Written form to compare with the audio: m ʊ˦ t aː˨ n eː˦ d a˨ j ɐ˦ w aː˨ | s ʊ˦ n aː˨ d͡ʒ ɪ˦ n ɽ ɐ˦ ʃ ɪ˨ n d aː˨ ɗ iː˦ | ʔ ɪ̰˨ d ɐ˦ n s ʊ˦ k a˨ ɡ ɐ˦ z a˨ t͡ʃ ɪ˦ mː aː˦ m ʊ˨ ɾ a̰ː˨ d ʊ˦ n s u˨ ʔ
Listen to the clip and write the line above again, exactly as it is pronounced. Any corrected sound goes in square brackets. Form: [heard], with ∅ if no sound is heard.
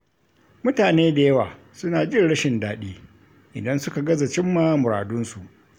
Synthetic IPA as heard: m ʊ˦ t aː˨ n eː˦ d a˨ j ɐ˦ w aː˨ | s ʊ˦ n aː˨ d͡ʒ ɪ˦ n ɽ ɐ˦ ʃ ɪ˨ n d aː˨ ɗ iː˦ | ʔ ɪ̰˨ d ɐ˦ n s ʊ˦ k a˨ ɡ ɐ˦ z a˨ t͡ʃ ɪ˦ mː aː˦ m ʊ˨ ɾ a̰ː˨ d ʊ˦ n s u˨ ʔ